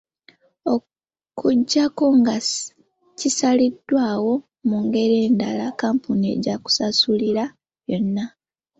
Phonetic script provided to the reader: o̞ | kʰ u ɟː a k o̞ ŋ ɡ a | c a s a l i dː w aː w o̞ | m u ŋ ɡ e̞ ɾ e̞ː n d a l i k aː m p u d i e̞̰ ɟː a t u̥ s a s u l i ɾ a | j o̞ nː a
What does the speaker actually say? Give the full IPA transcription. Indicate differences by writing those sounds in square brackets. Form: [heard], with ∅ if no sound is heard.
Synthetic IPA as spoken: o̞ | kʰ u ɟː a k o̞ ŋ ɡ a | c [i] s a l i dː w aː w o̞ | m u ŋ ɡ e̞ ɾ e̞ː n d a l [a] k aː m p u [n] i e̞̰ [ɟ] a [k] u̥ s a s u l i ɾ a | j o̞ nː a